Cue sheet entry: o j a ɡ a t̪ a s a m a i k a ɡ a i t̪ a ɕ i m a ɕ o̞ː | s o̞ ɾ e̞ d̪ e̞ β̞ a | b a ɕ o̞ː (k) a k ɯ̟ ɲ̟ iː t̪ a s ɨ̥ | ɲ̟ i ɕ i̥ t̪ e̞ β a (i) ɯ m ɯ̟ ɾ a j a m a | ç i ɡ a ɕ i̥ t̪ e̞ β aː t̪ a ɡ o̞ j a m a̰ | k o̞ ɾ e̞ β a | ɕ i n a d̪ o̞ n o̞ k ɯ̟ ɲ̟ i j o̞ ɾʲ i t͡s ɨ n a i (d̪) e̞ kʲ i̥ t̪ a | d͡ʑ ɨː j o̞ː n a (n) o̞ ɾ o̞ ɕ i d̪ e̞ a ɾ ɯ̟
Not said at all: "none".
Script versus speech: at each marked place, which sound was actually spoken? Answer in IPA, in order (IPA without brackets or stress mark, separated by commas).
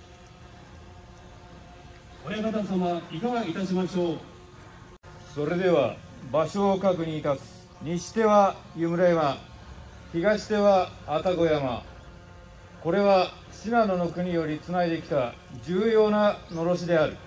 k, j, d̪, n